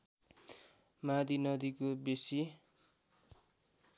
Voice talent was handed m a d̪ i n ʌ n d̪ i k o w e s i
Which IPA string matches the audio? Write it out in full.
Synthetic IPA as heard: m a d̪ i n ʌ d̪ i k o b e s i